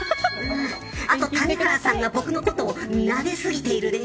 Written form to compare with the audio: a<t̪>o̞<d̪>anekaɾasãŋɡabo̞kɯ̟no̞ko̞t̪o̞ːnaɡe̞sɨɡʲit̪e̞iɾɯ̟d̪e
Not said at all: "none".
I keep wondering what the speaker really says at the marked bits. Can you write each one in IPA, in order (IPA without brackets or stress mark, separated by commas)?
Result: t̪, t̪